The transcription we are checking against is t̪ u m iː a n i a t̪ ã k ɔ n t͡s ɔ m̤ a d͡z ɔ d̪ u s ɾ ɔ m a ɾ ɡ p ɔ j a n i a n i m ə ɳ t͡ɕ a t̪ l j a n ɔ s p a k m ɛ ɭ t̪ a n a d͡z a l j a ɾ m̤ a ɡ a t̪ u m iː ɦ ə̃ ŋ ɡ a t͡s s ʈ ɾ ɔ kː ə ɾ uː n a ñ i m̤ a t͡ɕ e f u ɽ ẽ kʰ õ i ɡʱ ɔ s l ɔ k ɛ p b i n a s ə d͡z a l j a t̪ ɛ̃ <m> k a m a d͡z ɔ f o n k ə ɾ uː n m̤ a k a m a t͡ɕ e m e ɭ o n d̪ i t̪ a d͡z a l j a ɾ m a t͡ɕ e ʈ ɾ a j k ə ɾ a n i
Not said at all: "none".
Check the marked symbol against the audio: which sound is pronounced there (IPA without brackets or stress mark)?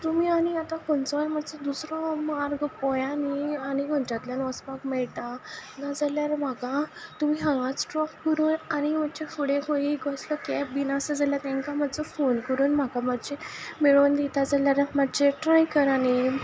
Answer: ŋ